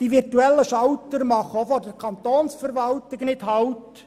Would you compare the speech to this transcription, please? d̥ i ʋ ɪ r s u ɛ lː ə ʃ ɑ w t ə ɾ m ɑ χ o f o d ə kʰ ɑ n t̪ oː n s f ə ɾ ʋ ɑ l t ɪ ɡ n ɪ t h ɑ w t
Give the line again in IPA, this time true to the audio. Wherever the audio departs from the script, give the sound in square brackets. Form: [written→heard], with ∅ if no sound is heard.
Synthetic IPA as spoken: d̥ i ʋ ɪ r [s→t] u ɛ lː ə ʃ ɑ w t ə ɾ m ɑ χ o f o d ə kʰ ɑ n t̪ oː n s f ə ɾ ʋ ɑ l t ɪ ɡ n ɪ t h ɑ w t